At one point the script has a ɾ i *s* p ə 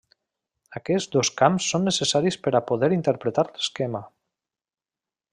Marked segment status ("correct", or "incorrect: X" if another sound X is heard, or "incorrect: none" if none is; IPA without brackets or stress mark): correct